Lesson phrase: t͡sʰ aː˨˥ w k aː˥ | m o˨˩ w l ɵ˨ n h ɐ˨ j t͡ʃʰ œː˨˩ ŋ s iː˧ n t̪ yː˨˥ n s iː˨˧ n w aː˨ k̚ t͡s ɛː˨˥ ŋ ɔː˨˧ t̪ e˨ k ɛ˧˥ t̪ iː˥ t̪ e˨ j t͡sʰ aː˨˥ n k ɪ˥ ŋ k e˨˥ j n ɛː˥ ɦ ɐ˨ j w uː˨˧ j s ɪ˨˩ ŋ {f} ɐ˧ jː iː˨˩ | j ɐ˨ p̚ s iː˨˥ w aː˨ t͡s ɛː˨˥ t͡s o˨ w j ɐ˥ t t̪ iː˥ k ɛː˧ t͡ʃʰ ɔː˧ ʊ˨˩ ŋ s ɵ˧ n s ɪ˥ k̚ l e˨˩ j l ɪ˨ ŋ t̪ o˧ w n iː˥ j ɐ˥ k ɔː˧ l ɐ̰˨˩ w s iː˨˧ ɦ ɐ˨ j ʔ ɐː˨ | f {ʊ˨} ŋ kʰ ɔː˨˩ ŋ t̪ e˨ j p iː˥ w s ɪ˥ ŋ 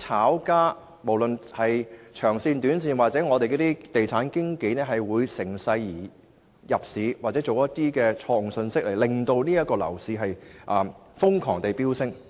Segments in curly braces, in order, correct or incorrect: incorrect: s, incorrect: ʊ˥

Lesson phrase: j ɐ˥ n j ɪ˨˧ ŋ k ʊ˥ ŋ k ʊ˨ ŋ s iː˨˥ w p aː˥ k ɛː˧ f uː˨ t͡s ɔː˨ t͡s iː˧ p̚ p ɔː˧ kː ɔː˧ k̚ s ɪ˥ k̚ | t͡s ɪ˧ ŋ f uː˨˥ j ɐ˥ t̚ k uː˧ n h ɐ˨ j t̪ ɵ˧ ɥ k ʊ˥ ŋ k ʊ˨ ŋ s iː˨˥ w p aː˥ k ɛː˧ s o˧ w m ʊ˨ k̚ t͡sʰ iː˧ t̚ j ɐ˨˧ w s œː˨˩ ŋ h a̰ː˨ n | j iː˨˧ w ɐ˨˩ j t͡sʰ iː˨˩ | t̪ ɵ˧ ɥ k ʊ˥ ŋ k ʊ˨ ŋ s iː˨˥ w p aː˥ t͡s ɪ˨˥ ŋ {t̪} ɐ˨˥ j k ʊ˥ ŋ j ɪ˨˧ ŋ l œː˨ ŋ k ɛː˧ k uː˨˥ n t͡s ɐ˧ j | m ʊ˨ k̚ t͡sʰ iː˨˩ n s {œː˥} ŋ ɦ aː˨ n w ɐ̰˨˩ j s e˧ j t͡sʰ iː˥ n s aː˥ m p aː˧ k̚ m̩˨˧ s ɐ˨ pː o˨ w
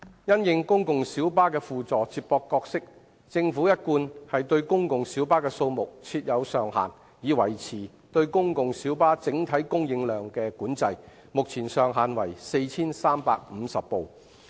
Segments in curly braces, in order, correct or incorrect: incorrect: t̪ʰ, incorrect: œː˨˩

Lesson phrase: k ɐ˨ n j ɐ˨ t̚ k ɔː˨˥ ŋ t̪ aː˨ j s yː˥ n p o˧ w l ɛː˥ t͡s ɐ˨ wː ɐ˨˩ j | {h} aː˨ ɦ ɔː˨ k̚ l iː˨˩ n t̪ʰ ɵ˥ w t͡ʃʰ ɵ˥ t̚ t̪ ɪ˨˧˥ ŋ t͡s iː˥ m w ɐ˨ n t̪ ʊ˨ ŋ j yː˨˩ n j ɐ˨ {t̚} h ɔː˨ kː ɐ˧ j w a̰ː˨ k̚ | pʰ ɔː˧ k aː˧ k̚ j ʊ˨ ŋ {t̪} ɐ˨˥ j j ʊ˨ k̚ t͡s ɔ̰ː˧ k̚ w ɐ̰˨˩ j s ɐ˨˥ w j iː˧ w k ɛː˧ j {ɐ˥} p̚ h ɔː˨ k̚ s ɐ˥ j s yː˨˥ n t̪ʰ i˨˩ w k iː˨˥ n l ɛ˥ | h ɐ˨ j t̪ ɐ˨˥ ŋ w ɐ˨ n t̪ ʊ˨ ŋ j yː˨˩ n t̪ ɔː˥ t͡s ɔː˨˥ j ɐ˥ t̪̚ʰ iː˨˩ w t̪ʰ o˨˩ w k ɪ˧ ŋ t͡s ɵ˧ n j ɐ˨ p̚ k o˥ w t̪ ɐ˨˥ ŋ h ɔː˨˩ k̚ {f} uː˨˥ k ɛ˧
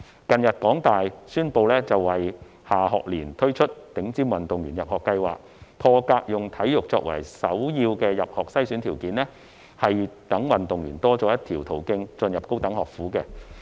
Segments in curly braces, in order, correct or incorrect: correct, incorrect: p̚, incorrect: t̪ʰ, incorrect: ɐ˨, correct

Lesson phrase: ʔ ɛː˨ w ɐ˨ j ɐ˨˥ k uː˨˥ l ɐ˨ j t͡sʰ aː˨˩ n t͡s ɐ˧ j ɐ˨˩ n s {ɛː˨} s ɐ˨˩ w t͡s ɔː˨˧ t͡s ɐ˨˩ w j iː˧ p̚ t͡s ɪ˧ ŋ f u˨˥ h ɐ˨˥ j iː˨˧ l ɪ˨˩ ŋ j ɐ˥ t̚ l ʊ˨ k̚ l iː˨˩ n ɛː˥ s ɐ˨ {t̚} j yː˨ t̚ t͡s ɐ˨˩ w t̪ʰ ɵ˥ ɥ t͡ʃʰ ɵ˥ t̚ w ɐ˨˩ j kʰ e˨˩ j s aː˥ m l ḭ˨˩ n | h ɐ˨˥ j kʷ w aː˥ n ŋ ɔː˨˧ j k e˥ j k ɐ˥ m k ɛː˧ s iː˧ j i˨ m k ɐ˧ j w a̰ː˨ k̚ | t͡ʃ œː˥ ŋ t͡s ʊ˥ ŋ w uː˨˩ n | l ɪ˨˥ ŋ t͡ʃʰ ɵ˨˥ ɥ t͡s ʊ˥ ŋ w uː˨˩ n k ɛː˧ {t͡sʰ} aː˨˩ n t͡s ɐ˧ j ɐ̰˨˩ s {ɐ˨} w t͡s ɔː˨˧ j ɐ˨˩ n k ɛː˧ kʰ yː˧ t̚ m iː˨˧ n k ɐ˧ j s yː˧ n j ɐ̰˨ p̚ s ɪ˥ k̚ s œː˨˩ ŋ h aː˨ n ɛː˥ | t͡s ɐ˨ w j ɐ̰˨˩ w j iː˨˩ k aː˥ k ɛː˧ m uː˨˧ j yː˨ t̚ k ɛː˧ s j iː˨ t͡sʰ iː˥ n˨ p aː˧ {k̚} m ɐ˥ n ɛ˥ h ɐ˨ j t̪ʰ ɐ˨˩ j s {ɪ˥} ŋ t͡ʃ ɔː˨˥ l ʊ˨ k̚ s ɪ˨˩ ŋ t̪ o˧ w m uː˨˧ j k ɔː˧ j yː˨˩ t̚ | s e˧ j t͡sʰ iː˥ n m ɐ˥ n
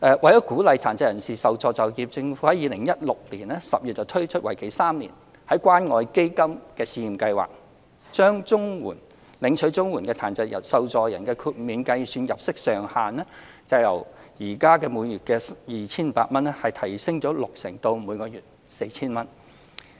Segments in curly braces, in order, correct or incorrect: incorrect: iː˨, incorrect: p̚, correct, correct, incorrect: t̚, correct

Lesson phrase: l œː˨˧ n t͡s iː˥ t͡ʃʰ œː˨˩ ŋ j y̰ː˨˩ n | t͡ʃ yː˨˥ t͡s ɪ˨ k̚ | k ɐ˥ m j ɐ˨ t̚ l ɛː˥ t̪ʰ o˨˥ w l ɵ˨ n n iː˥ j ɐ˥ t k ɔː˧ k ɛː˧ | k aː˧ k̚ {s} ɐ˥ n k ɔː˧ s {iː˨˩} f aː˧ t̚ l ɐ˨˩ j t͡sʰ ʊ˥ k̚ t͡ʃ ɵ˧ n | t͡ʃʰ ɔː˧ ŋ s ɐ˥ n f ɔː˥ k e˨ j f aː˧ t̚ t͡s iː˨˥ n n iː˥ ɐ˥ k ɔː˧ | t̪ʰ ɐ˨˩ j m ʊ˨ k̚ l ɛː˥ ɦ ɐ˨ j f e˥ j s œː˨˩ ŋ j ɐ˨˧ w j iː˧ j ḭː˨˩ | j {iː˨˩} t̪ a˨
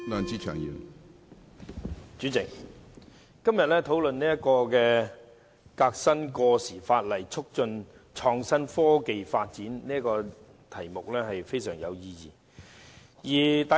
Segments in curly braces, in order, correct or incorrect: correct, correct, correct

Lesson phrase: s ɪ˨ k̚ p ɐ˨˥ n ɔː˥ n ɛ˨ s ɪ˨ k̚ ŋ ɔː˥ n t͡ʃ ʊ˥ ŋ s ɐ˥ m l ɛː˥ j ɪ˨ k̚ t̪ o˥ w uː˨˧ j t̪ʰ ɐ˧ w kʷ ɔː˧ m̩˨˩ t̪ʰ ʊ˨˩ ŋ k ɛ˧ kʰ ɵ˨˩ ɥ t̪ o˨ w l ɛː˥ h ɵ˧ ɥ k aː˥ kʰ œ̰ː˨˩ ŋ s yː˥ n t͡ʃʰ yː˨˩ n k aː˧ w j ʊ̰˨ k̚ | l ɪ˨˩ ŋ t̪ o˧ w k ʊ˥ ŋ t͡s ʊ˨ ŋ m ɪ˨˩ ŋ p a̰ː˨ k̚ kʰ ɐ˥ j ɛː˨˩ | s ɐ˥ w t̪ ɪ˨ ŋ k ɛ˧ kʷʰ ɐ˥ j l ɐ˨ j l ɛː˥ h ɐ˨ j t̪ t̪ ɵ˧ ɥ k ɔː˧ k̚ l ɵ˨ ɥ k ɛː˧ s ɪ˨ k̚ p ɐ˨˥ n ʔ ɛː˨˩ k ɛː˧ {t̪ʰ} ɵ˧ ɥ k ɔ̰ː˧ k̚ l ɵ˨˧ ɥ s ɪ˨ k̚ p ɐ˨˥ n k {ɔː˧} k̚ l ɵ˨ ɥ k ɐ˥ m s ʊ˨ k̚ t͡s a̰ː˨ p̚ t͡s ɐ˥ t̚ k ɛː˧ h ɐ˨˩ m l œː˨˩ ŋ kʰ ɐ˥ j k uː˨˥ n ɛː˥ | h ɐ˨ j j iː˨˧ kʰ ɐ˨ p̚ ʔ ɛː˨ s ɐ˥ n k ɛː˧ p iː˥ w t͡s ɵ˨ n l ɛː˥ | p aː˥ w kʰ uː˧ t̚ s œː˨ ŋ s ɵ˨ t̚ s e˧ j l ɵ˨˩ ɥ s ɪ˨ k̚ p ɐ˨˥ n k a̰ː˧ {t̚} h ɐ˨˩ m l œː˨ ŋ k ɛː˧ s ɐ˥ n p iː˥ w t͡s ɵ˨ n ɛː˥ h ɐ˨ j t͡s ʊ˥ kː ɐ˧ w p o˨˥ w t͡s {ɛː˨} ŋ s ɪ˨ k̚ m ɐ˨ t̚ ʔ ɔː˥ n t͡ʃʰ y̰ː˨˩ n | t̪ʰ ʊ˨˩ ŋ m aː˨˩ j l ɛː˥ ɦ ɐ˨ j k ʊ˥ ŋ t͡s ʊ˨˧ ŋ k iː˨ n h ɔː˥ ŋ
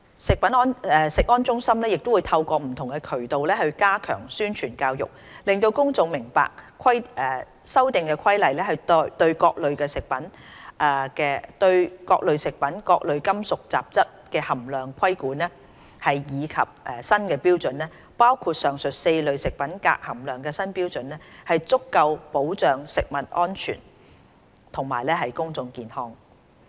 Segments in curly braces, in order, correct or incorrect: incorrect: t̪, correct, incorrect: k̚, incorrect: œː˨

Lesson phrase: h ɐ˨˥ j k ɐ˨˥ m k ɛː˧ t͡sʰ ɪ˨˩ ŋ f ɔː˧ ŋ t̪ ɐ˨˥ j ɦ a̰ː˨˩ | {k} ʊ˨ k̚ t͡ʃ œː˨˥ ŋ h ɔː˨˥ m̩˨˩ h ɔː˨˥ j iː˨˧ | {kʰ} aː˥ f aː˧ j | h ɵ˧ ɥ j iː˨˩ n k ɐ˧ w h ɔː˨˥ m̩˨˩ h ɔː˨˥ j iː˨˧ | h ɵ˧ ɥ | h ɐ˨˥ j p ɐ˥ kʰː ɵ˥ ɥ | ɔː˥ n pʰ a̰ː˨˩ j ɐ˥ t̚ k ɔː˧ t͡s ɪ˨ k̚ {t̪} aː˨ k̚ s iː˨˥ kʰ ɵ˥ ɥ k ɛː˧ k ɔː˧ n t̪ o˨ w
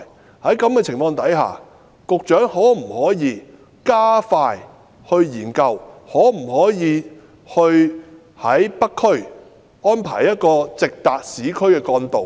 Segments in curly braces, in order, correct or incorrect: correct, incorrect: k, correct

